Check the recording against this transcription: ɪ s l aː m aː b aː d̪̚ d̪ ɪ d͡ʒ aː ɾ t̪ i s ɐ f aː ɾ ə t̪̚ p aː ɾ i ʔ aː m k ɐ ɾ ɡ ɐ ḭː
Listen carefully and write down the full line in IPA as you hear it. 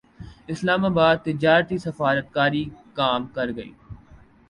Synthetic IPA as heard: ɪ s l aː m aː b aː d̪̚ t̪ ɪ d͡ʒ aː ɾ t̪ i s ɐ f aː ɾ ə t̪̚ k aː ɾ i k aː m k ɐ ɾ ɡ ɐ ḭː